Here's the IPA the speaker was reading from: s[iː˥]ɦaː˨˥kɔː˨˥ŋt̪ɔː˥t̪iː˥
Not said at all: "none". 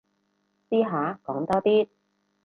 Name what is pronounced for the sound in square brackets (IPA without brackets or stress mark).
iː˥